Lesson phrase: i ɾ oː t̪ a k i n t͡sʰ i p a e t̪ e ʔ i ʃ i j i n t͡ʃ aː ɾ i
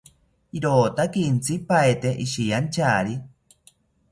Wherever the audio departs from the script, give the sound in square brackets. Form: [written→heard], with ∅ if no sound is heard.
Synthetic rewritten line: i ɾ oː t̪ a k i n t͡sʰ i p a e t̪ e ʔ i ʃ i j [i→a] n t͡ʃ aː ɾ i